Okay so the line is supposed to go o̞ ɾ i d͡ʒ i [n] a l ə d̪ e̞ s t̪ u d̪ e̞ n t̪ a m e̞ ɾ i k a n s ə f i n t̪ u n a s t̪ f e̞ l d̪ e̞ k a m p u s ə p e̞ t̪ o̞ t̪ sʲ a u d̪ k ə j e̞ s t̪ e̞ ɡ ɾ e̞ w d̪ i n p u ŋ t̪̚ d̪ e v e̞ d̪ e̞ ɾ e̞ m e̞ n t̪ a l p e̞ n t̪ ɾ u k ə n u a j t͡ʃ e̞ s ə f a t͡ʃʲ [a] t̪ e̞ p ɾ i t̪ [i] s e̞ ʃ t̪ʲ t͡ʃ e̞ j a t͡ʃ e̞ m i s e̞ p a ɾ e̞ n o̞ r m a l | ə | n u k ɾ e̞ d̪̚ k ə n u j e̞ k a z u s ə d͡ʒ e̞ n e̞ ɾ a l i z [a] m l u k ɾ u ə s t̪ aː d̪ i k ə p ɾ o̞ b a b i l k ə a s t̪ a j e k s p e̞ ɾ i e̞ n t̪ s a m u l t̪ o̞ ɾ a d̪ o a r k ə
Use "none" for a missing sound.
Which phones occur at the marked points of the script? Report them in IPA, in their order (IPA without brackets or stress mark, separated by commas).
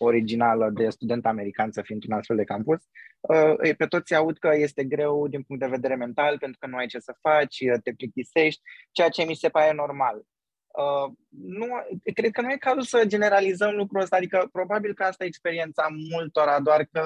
n, ə, i, ə